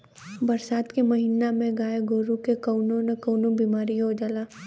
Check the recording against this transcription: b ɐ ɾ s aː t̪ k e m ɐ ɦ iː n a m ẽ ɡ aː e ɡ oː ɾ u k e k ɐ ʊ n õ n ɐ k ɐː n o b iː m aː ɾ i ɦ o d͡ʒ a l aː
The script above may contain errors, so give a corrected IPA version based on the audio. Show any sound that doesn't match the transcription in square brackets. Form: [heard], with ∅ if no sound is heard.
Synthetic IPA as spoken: b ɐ ɾ s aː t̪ k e m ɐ ɦ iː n a m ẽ ɡ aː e ɡ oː ɾ u k e k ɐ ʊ n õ n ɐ k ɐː n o b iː m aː ɾ i ɦ o d͡ʒ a l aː